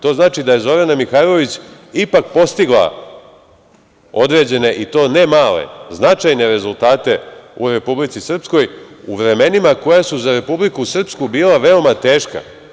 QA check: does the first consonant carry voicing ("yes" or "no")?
no